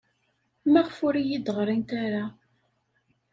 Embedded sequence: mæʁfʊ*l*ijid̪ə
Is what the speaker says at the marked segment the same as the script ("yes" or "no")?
no